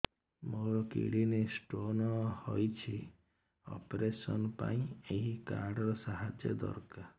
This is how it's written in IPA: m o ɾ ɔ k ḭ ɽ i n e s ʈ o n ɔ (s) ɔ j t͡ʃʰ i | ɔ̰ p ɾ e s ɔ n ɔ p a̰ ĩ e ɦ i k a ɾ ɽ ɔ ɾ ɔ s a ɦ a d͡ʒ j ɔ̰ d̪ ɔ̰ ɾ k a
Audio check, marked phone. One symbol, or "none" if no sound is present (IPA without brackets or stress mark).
h